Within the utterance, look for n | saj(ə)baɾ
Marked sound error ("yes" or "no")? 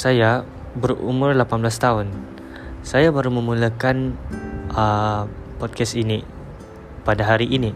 yes